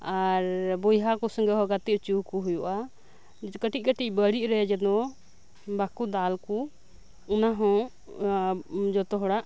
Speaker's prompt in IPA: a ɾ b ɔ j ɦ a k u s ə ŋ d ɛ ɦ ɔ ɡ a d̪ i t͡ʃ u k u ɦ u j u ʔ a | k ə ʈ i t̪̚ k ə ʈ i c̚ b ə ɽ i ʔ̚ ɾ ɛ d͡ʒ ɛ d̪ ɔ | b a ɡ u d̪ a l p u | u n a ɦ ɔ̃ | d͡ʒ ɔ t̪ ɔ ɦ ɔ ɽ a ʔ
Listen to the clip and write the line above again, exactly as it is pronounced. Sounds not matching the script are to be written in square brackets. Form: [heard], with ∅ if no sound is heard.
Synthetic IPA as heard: a ɾ b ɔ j ɦ a k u s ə ŋ [ɡ] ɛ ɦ ɔ ɡ a [t̪] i t͡ʃ u k u ɦ u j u ʔ a | k ə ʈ i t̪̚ k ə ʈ i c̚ b ə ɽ i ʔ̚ ɾ ɛ d͡ʒ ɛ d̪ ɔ | b a [k] u d̪ a l [k] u | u n a ɦ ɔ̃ | d͡ʒ ɔ t̪ ɔ ɦ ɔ ɽ a ʔ